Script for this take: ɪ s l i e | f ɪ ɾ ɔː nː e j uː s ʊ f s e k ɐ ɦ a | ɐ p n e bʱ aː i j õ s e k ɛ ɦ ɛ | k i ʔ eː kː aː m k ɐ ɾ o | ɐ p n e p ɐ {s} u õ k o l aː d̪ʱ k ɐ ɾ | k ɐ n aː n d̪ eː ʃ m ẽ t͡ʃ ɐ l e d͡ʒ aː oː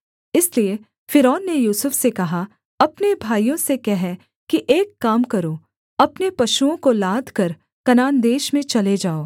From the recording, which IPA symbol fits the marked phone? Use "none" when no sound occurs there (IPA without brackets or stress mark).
ʃ